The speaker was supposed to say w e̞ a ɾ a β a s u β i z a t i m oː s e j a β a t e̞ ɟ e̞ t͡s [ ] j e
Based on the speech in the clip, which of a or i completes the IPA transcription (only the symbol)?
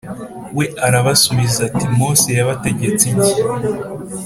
i